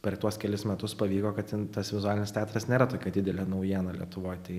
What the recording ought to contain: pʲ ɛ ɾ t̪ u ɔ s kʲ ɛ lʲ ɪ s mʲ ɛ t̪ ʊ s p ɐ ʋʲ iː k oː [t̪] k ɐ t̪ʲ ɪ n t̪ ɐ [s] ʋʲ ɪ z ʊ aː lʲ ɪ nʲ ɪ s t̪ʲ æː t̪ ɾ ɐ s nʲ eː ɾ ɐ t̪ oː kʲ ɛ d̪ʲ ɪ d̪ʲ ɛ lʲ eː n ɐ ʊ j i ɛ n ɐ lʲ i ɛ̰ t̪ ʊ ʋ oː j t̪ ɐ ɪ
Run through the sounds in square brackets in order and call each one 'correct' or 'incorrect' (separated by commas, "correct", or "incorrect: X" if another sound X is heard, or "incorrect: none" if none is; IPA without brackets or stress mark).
incorrect: none, correct